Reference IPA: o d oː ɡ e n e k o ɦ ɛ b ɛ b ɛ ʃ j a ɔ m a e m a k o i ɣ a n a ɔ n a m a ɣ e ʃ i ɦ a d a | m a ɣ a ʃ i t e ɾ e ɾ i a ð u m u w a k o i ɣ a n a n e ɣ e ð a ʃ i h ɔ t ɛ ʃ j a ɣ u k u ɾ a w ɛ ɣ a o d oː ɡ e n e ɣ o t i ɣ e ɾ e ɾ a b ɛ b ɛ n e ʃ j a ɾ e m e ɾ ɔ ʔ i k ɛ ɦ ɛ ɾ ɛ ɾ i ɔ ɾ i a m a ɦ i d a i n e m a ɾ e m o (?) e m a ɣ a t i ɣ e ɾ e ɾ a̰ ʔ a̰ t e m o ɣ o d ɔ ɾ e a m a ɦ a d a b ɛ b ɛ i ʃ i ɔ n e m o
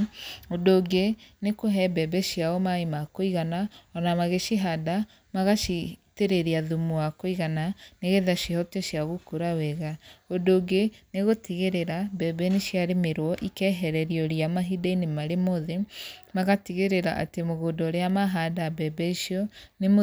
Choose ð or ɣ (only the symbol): ð